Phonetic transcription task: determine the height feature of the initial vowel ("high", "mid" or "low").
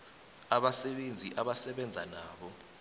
low